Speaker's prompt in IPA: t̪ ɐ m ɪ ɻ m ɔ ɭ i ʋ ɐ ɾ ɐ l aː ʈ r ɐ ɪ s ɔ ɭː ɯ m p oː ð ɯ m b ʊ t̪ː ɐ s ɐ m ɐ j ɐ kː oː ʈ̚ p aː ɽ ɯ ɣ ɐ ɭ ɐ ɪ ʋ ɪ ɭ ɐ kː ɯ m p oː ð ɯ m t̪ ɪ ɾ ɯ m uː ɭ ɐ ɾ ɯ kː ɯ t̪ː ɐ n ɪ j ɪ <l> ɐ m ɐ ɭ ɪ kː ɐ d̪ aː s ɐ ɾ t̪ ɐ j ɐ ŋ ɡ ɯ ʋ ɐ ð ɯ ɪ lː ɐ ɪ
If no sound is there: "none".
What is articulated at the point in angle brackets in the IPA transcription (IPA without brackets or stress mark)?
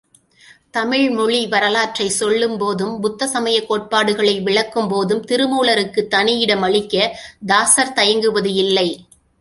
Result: ɽ